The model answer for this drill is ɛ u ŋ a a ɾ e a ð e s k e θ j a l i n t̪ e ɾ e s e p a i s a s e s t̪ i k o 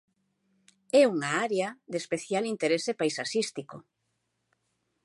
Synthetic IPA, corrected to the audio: ɛ u ŋ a a ɾ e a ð e s p e θ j a l i n t̪ e ɾ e s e p a j s a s i s t̪ i k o